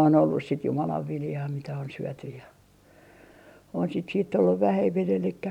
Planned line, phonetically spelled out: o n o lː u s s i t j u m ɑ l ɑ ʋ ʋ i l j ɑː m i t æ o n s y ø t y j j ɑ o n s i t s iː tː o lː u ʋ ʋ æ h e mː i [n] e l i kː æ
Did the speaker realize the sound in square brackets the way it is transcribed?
yes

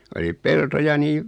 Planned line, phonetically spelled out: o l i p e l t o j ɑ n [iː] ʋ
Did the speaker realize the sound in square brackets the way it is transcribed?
yes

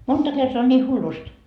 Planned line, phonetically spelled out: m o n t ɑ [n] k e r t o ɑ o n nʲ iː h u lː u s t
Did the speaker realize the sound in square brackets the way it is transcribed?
no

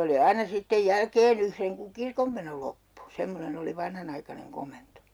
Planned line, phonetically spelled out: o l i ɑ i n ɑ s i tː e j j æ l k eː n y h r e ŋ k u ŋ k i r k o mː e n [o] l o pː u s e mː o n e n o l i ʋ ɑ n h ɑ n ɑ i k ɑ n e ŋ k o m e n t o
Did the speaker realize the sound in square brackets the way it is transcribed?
yes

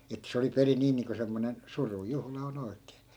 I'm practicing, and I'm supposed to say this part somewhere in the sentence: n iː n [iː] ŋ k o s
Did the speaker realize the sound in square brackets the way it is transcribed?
yes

